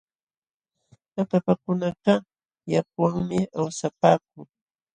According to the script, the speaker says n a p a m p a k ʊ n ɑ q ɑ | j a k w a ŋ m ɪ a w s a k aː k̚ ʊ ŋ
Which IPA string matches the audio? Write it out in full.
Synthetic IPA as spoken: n a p a p a k ʊ n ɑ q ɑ | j a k w a ŋ m ɪ a w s a p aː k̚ ʊ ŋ